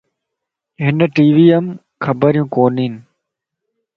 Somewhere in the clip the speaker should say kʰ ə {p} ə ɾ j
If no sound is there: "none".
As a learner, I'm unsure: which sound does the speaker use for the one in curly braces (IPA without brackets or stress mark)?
b